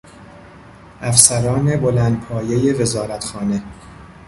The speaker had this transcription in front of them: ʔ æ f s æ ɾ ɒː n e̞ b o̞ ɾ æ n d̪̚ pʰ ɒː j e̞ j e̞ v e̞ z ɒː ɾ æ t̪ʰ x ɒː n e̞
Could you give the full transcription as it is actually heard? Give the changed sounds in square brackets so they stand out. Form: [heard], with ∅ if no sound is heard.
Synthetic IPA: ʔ æ f s æ ɾ ɒː n e̞ b o̞ [l] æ n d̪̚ pʰ ɒː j e̞ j e̞ v e̞ z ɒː ɾ æ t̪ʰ x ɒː n e̞